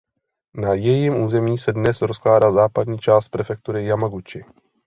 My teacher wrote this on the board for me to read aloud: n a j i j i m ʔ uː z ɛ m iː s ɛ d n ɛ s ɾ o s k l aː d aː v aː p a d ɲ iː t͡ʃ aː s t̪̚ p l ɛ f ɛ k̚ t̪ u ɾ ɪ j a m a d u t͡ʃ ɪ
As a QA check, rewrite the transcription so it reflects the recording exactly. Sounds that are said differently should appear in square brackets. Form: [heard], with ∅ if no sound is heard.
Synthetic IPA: n a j [ɛ] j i m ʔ uː z ɛ m iː s ɛ d n ɛ s ɾ o s k l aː d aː [z] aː p a d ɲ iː t͡ʃ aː s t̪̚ p [ɾ] ɛ f ɛ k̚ t̪ u ɾ ɪ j a m a [ɡ] u t͡ʃ ɪ